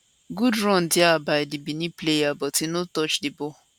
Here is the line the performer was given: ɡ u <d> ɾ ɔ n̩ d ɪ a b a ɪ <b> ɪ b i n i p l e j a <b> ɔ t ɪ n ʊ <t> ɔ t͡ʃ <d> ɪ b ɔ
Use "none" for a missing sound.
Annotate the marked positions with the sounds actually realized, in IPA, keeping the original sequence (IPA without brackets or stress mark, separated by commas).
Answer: d, d, b, t, d